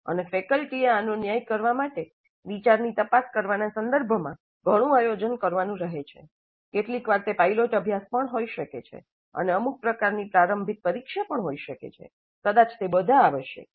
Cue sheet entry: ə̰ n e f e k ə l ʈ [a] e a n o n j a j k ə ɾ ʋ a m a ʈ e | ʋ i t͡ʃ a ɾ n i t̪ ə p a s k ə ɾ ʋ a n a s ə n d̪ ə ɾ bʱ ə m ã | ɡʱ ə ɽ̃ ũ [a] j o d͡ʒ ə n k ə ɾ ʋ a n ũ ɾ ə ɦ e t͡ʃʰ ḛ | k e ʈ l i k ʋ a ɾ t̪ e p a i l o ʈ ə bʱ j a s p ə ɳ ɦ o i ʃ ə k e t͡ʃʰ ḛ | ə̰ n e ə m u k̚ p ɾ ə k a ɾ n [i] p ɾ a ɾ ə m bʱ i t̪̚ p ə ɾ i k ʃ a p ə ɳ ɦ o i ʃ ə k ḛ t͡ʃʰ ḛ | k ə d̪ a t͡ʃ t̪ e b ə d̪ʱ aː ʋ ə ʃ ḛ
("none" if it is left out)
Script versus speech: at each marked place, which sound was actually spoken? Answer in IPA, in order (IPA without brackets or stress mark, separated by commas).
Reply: i, a, i